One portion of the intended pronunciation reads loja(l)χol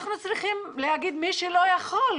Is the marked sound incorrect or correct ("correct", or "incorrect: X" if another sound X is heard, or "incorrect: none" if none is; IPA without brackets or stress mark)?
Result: incorrect: none